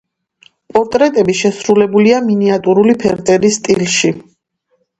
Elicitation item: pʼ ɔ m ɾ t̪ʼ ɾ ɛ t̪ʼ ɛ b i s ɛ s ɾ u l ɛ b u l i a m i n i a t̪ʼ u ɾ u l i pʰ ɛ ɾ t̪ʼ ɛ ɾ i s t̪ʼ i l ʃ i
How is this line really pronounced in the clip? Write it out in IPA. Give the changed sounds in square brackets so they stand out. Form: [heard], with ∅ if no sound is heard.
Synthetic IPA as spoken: pʼ ɔ [∅] ɾ t̪ʼ ɾ ɛ t̪ʼ ɛ b i [ʃ] ɛ s ɾ u l ɛ b u l i a m i n i a t̪ʼ u ɾ u l i pʰ ɛ ɾ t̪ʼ ɛ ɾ i s t̪ʼ i l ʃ i